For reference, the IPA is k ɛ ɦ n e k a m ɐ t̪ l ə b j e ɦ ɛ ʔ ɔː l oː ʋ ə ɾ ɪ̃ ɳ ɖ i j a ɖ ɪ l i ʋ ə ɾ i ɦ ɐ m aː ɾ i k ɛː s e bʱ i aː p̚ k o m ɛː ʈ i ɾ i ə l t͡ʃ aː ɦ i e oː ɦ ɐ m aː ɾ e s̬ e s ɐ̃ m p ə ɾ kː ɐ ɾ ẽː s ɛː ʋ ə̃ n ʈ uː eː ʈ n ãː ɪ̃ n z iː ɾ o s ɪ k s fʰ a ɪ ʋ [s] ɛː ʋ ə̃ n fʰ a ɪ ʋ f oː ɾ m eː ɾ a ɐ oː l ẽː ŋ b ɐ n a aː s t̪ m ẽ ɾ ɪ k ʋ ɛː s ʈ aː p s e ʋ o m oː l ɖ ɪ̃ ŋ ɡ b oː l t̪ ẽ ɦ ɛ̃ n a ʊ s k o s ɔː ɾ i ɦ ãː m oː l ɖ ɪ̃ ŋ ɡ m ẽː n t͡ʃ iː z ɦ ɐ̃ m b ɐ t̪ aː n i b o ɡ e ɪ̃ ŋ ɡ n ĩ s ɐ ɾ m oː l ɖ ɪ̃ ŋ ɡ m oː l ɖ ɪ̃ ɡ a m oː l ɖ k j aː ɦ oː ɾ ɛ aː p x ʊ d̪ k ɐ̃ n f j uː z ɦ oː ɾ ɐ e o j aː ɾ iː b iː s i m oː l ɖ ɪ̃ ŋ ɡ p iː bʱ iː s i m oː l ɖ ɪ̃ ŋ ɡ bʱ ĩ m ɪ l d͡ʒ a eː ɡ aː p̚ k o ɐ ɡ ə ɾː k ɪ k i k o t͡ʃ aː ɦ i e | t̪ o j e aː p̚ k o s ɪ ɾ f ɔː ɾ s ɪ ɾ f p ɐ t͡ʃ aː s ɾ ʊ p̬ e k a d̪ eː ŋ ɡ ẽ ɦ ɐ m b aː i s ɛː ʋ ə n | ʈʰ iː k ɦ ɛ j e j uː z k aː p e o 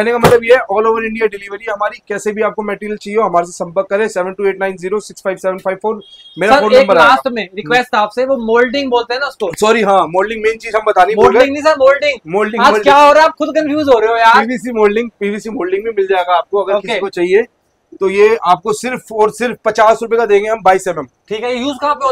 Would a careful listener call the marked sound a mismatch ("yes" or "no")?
no